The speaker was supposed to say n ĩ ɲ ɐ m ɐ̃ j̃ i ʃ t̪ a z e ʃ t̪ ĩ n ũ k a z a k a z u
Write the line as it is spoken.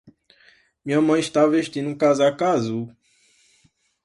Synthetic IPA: m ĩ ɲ ɐ m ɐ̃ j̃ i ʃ t̪ a v e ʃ t̪ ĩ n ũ k a z a k a z u